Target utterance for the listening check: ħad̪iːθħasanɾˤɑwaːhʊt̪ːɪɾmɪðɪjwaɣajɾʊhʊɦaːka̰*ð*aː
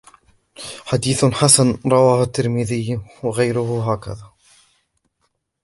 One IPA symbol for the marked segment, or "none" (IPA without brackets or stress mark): ð